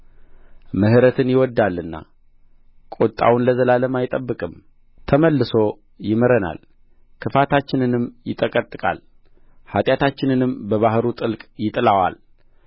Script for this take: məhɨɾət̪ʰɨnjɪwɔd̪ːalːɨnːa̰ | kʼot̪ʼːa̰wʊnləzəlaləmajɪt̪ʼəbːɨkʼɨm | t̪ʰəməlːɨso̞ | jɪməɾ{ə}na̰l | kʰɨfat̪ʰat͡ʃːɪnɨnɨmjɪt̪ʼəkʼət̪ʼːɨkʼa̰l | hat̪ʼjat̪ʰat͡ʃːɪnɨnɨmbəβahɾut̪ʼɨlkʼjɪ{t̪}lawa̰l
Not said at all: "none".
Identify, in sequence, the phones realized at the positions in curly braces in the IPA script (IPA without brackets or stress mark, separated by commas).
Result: ə, t̪ʼ